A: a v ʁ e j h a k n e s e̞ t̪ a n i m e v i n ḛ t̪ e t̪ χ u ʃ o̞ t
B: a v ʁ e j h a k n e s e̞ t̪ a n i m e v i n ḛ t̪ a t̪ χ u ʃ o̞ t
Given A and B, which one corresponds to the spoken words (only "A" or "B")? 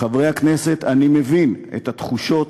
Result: B